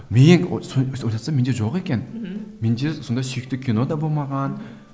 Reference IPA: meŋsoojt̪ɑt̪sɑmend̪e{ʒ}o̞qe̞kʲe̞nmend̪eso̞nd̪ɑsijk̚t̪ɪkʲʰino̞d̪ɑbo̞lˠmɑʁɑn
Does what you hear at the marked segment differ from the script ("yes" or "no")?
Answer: no